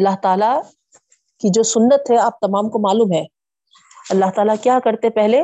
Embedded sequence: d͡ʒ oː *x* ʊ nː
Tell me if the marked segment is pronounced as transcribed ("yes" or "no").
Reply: no